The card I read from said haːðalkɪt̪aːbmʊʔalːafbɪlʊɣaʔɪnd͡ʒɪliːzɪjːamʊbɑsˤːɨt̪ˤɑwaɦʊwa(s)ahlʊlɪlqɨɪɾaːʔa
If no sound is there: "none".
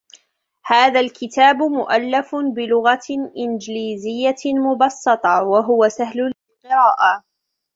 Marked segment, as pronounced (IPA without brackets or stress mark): s